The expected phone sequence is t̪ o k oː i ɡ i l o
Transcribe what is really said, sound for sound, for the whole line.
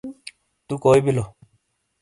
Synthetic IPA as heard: t̪ u k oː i b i l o

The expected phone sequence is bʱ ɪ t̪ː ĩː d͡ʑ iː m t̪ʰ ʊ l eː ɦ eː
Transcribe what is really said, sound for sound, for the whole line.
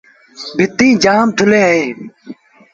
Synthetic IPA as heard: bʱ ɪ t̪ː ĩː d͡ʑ aː m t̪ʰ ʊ l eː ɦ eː

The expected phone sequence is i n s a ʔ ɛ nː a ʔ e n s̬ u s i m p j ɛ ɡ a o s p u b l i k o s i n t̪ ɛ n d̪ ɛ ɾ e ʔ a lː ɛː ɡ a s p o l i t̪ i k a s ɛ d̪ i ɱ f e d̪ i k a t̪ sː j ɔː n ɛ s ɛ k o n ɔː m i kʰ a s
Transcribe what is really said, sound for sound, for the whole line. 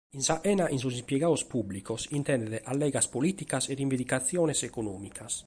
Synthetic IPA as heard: i n s a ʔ ɛ n a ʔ i n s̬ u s i m p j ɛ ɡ a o s p u b l i k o s i n t̪ ɛ n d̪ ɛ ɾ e ʔ a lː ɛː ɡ a s p o l i t̪ i k a s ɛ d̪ i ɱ v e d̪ i k a t̪ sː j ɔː n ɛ s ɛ k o n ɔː m i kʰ a s

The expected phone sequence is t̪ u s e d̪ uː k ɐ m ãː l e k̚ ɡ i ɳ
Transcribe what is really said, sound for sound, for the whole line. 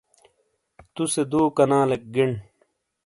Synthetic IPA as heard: t̪ u s e d̪ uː k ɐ n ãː l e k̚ ɡ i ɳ

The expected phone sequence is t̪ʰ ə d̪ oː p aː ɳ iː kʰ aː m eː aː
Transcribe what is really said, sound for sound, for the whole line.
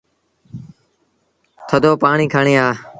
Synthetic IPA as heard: t̪ʰ ə d̪ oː p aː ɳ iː kʰ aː ɳ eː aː

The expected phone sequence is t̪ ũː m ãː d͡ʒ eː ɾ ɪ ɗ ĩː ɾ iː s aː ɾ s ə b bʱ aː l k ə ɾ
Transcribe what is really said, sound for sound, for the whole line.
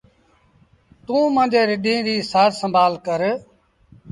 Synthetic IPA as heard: t̪ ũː m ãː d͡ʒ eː ɾ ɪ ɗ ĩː ɾ iː s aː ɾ s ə m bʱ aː l k ə ɾ

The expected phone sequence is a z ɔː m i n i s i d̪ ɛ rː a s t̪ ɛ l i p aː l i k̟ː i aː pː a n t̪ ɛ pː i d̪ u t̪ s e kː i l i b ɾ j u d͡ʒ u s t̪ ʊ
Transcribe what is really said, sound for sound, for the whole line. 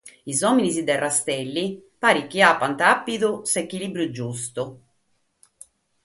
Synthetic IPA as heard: i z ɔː m i n i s i d̪ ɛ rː a s t̪ ɛ lː i p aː ɾ i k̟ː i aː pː a n t̪ a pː i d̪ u s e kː i l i b ɾ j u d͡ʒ u s t̪ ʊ

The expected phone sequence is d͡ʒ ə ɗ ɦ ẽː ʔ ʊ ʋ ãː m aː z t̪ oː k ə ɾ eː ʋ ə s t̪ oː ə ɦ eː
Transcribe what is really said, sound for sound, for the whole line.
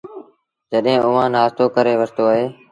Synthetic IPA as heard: d͡ʒ ə ɗ ɦ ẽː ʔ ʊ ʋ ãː n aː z t̪ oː k ə ɾ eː ʋ ə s t̪ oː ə ɦ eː

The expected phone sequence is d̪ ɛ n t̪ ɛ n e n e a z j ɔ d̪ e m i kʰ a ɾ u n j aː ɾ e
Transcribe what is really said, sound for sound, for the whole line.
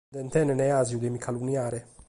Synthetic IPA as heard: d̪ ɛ n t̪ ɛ n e n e a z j u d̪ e m i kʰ a l u n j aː ɾ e

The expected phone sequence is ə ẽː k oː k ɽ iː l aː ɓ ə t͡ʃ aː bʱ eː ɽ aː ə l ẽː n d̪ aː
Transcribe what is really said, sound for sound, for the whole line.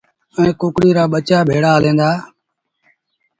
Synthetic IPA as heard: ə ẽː k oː k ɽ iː ɾ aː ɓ ə t͡ʃ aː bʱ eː ɽ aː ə l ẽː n d̪ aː

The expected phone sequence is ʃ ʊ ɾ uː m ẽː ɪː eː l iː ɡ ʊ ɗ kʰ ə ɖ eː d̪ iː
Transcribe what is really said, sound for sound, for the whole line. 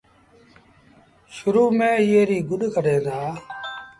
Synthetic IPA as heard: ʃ ʊ ɾ uː m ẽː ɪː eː ɾ iː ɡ ʊ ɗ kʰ ə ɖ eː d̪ aː

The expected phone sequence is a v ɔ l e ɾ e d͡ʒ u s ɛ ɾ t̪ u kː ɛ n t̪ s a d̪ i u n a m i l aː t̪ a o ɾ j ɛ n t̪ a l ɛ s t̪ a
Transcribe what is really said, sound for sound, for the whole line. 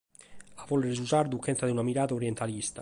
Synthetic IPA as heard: a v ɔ l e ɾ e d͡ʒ u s a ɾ d̪ u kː ɛ n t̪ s a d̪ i u n a m i ɾ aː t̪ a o ɾ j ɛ n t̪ a l i s t̪ a

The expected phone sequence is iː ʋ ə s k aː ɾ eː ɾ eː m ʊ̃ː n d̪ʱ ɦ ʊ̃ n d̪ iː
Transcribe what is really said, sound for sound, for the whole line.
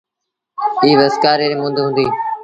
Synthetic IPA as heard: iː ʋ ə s k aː ɾ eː ɾ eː m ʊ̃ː n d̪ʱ ɦ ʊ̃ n d̪ iː

